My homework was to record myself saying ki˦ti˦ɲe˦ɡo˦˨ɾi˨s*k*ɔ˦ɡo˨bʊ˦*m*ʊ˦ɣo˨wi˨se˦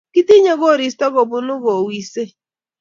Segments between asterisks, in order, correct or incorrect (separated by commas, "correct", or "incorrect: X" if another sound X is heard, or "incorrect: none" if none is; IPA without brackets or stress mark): incorrect: t, incorrect: n